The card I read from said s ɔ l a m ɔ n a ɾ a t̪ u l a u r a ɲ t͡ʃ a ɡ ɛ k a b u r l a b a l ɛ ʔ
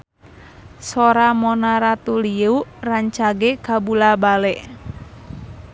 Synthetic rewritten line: s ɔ ɾ a m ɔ n a ɾ a t̪ u l i u r a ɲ t͡ʃ a ɡ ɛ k a b u l a b a l ɛ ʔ

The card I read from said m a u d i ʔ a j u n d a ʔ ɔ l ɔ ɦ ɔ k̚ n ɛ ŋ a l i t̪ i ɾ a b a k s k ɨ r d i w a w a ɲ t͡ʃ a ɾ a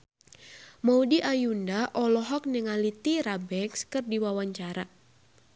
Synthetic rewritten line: m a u d i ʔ a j u n d a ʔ ɔ l ɔ ɦ ɔ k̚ n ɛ ŋ a l i t̪ i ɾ a b ɛ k s k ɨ r d i w a w a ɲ t͡ʃ a ɾ a

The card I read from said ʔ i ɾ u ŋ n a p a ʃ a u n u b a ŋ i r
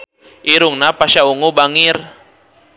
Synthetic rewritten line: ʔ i ɾ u ŋ n a p a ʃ a u ŋ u b a ŋ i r

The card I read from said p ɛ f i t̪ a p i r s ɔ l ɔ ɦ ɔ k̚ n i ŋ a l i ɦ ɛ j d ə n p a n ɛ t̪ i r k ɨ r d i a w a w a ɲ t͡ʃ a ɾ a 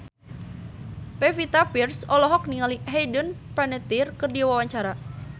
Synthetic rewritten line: p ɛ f i t̪ a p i r s ɔ l ɔ ɦ ɔ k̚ n i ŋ a l i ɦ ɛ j d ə n p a n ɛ t̪ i r k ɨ r d i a w a w a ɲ t͡ʃ a ɾ a

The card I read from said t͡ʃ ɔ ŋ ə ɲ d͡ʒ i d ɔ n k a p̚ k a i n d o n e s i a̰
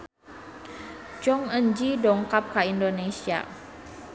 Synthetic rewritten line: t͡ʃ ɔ ŋ ə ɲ d͡ʒ i d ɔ ŋ k a p̚ k a i n d o n e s i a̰

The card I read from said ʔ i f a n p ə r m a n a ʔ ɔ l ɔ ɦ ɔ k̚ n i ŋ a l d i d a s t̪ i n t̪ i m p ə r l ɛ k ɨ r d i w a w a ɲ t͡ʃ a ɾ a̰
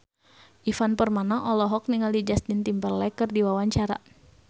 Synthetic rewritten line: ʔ i f a n p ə r m a n a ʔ ɔ l ɔ ɦ ɔ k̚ n i ŋ a l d i d͡ʒ a s t̪ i n t̪ i m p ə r l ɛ k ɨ r d i w a w a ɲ t͡ʃ a ɾ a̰

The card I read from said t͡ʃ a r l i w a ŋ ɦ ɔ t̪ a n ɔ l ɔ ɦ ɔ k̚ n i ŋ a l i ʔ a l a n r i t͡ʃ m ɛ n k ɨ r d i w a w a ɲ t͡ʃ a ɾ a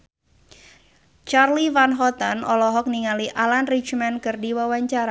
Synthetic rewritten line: t͡ʃ a r l i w a n ɦ ɔ t̪ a n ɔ l ɔ ɦ ɔ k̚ n i ŋ a l i ʔ a l a n r i t͡ʃ m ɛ n k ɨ r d i w a w a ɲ t͡ʃ a ɾ a

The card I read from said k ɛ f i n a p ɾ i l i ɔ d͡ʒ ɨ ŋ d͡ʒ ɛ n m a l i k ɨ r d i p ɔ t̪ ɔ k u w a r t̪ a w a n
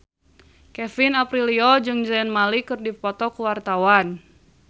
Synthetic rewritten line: k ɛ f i n a p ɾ i l i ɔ d͡ʒ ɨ ŋ d͡ʒ ɛ n m a l i k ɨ r d i p ɔ t̪ ɔ k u w a r t̪ a w a n

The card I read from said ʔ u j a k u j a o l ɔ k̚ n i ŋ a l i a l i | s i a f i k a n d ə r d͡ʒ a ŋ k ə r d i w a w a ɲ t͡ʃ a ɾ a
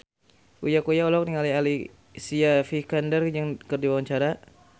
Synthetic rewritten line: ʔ u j a k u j a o l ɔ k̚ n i ŋ a l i a l i | s i a f i k a n d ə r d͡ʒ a ŋ k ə r d i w a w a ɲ t͡ʃ a ɾ a

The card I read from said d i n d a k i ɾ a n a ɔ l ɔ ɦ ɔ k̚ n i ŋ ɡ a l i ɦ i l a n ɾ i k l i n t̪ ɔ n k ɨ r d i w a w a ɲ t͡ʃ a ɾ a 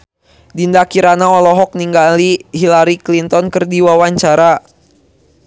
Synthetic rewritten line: d i n d a k i ɾ a n a ɔ l ɔ ɦ ɔ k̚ n i ŋ ɡ a l i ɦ i l a ɾ i k l i n t̪ ɔ n k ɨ r d i w a w a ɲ t͡ʃ a ɾ a

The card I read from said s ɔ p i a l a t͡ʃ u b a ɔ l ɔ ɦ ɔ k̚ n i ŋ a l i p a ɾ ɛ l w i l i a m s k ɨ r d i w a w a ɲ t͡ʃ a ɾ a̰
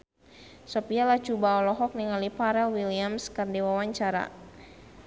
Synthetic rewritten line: s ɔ p i a l a t͡ʃ u b a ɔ l ɔ ɦ ɔ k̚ n i ŋ a l i p a ɾ ɛ l w i l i a m s k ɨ r d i w a w a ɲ t͡ʃ a ɾ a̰

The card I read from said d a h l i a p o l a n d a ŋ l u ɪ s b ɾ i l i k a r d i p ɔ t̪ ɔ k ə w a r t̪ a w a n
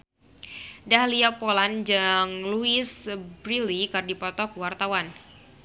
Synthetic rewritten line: d a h l i a p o l a n d͡ʒ a ŋ l u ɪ s b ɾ i l i k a r d i p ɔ t̪ ɔ k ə w a r t̪ a w a n

